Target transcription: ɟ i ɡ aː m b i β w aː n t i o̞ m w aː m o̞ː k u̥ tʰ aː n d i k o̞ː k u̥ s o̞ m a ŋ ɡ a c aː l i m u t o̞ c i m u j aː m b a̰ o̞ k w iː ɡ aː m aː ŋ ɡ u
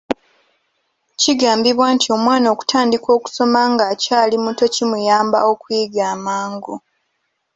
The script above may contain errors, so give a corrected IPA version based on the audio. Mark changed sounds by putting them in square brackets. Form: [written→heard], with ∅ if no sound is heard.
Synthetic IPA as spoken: [ɟ→c] i ɡ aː m b i β w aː n t i o̞ m w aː [m→n] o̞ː k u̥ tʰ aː n d i k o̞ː k u̥ s o̞ m a ŋ ɡ a c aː l i m u t o̞ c i m u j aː m b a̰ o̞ k w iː ɡ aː m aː ŋ ɡ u